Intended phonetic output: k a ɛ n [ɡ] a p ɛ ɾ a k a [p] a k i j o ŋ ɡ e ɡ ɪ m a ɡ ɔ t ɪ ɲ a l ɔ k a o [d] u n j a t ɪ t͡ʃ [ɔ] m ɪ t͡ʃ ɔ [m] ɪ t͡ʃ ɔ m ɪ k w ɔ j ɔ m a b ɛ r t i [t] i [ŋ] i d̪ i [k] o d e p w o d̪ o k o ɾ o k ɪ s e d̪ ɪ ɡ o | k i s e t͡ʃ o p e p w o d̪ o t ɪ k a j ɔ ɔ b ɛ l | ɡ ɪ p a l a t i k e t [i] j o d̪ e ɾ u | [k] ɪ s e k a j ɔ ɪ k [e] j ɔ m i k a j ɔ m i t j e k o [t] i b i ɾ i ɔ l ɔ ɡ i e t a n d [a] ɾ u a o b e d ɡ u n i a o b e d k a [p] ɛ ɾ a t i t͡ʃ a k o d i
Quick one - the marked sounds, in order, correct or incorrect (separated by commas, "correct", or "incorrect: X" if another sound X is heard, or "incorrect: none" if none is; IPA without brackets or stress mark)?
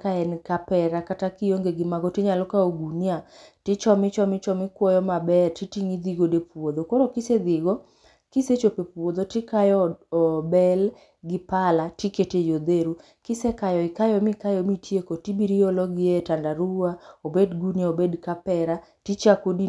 incorrect: k, incorrect: t, incorrect: ɡ, correct, correct, correct, correct, incorrect: ɡ, incorrect: e, correct, incorrect: a, correct, correct, correct